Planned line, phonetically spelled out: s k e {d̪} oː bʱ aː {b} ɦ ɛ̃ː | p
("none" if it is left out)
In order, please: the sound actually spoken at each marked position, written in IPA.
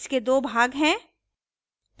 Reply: d̪, ɡ

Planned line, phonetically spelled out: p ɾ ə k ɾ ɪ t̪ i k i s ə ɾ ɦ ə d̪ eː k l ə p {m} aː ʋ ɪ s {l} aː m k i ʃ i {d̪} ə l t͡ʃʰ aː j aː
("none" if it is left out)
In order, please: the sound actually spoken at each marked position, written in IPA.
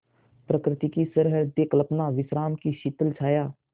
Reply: n, ɾ, t̪

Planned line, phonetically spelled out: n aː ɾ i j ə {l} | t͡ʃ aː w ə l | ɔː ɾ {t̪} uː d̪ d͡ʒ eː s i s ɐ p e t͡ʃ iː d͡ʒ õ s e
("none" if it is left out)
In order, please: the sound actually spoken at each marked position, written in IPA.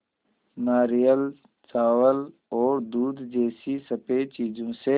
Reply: l, d̪

